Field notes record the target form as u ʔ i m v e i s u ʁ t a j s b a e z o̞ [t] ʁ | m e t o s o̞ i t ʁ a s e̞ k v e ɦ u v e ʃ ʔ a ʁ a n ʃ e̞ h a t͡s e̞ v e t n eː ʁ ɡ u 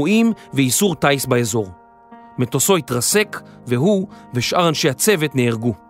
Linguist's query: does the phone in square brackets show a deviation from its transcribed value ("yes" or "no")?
yes